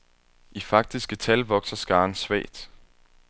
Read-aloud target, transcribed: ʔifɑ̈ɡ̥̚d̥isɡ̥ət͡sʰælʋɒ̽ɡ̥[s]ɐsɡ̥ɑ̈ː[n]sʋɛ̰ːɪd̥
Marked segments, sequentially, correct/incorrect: correct, correct

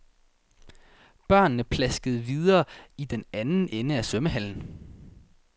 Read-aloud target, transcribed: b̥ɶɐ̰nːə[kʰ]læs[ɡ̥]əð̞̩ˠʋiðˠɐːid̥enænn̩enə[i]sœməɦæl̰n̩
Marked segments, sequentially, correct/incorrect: incorrect: pʰ, correct, incorrect: æ

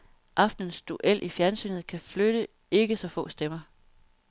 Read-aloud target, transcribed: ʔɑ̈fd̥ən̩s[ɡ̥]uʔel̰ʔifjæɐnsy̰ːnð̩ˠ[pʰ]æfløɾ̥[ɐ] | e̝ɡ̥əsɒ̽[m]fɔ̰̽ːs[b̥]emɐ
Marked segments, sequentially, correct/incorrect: incorrect: d̥, incorrect: kʰ, incorrect: ə, incorrect: none, incorrect: d̥

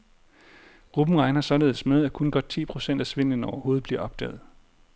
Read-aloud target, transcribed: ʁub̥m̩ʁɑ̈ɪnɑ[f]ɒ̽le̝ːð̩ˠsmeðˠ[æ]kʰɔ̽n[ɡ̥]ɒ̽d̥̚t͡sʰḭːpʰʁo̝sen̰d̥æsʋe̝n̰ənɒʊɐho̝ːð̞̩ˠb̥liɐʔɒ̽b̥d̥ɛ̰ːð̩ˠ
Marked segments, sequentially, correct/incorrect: incorrect: s, correct, correct

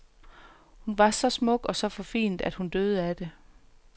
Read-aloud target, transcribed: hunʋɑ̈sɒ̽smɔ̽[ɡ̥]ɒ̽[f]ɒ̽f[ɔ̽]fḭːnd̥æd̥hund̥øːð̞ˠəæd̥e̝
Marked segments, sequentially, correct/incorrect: correct, incorrect: s, incorrect: ɒ̽

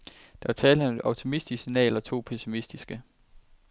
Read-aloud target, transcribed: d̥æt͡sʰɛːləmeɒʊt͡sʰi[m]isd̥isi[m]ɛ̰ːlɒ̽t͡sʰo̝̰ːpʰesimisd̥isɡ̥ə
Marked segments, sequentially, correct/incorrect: correct, incorrect: n

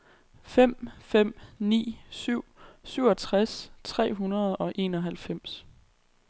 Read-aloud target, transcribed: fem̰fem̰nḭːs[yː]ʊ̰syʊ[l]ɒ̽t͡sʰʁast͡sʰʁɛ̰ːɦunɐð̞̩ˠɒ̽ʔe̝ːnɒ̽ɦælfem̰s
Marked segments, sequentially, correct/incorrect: incorrect: y, incorrect: none

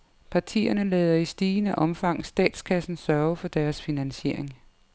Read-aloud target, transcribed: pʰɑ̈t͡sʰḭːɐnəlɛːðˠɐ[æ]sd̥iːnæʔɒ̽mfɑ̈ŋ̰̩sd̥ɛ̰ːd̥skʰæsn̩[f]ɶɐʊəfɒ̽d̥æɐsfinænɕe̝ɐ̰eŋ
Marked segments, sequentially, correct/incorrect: incorrect: i, incorrect: s

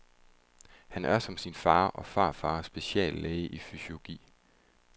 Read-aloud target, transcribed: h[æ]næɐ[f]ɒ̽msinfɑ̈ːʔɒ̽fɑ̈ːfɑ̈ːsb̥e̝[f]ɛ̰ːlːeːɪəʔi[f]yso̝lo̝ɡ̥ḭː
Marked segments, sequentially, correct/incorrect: correct, incorrect: s, incorrect: ɕ, correct

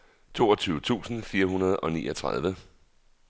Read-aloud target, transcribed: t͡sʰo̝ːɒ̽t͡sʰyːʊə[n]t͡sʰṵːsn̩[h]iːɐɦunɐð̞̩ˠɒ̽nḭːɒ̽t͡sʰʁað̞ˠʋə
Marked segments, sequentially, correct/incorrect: incorrect: none, incorrect: f

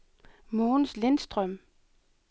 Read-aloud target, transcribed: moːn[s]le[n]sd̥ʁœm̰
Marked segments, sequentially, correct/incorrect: correct, correct

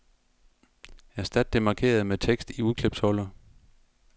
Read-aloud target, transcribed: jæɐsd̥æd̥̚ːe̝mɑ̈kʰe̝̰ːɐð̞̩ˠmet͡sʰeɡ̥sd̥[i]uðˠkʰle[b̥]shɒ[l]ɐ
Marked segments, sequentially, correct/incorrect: correct, correct, correct

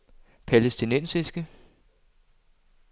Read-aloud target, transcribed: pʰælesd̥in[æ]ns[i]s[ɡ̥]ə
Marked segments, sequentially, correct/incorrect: incorrect: e, correct, correct

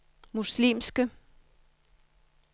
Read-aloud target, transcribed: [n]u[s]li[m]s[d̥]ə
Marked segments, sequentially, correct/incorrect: incorrect: m, correct, correct, incorrect: ɡ̥

